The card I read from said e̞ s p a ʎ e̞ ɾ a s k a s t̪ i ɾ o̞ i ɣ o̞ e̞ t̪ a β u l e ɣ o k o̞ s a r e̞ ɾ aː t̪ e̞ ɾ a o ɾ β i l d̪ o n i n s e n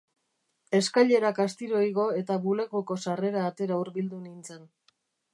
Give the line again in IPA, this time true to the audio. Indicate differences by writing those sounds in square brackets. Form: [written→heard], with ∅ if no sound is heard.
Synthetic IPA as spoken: e̞ s [p→k] a ʎ e̞ ɾ a [s→∅] k a s t̪ i ɾ o̞ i ɣ o̞ e̞ t̪ a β u l e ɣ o k o̞ s a r e̞ ɾ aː t̪ e̞ ɾ a [o→u] ɾ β i l d̪ [o→u] n i n [s→t͡s] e n